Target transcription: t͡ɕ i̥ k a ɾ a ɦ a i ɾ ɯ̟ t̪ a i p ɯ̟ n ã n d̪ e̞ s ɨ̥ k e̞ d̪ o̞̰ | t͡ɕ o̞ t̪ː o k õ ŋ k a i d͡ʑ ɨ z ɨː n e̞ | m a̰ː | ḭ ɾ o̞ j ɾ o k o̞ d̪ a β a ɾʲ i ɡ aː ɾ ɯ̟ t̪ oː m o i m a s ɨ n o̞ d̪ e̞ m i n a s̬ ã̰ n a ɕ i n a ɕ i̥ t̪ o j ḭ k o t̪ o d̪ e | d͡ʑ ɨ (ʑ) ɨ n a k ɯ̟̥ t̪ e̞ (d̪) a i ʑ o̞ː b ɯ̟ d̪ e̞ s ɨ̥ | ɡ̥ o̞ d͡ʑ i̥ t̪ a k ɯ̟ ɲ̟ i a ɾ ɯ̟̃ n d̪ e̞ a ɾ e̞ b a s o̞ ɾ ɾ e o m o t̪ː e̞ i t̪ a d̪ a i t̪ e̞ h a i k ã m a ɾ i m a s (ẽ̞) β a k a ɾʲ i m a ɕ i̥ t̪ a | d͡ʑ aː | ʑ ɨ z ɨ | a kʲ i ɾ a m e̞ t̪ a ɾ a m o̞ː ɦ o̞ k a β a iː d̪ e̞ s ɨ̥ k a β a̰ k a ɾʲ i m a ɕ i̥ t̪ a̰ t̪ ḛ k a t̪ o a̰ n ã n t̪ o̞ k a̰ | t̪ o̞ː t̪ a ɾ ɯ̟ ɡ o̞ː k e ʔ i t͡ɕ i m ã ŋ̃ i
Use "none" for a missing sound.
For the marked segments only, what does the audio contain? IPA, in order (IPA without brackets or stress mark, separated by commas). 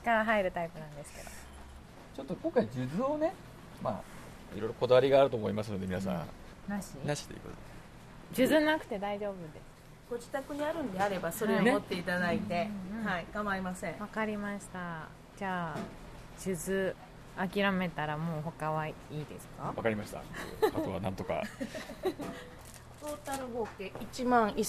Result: z, d̪, ẽ̞